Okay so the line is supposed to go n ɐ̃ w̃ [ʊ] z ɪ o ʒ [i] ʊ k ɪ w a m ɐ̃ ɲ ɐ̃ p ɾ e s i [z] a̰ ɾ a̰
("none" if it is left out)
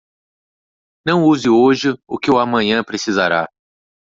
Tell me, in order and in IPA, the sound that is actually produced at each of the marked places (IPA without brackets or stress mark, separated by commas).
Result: u, ɪ, z